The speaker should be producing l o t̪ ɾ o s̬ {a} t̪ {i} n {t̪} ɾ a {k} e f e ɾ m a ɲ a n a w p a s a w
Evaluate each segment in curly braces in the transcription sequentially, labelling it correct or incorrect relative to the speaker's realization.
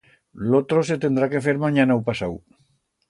incorrect, incorrect, incorrect, correct

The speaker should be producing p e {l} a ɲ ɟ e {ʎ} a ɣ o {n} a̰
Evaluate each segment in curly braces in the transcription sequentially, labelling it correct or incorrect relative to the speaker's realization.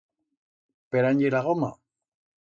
incorrect, incorrect, incorrect

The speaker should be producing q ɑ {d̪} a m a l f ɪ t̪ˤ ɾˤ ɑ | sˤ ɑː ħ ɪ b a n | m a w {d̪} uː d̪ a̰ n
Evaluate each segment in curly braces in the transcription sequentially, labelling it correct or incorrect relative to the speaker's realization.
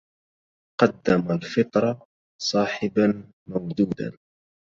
incorrect, correct

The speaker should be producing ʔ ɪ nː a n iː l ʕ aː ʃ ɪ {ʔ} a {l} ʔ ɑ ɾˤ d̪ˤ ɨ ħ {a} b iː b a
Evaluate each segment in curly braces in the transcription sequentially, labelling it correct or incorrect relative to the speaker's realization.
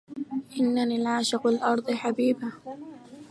incorrect, correct, correct

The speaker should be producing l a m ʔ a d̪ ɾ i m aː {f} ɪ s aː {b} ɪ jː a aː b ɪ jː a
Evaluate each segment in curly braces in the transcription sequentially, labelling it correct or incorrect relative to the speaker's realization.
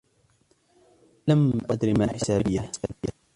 incorrect, correct

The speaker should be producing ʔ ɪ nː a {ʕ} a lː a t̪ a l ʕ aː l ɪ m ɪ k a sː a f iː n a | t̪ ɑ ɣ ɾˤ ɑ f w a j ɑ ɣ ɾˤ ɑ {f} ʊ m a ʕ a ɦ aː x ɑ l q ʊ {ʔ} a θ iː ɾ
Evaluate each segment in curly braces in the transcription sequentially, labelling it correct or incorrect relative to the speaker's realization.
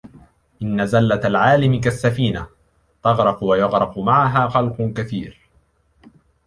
incorrect, correct, incorrect

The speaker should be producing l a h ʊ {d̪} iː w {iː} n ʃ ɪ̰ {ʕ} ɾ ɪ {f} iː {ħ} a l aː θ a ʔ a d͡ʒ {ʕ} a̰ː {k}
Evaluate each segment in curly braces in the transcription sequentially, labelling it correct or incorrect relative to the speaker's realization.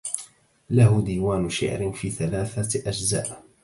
correct, incorrect, correct, correct, incorrect, incorrect, incorrect

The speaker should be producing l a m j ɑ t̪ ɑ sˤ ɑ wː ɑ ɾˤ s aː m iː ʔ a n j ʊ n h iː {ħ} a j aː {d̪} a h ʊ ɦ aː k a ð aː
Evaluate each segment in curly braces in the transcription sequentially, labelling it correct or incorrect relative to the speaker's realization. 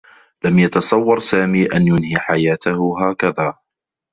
correct, incorrect

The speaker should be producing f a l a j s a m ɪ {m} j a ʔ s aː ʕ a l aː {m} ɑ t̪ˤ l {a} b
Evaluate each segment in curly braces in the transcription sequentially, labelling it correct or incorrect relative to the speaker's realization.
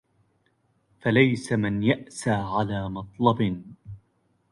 incorrect, correct, incorrect

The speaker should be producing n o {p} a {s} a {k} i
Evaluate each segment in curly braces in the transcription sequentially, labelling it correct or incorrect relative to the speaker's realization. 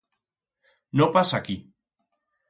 correct, correct, correct

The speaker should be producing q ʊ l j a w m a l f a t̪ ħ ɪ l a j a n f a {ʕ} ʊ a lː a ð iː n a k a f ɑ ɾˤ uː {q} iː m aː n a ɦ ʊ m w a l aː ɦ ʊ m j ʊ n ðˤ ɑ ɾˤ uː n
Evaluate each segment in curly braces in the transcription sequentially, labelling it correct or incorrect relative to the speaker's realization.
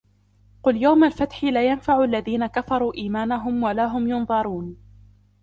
correct, incorrect

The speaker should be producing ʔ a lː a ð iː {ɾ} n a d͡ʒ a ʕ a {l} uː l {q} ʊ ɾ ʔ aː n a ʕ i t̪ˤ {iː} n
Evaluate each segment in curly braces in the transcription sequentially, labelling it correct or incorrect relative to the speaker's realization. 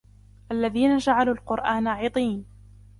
incorrect, correct, correct, correct

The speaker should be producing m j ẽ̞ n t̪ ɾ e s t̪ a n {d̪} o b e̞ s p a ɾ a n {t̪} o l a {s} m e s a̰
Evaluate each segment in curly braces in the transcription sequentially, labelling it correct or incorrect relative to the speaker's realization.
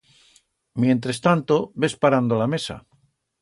incorrect, incorrect, incorrect

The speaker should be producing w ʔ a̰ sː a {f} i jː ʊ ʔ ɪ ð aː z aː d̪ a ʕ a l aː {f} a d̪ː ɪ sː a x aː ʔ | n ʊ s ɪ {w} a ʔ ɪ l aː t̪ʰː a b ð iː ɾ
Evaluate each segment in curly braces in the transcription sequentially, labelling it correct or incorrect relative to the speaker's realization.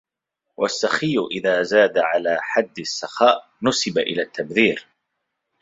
incorrect, incorrect, incorrect

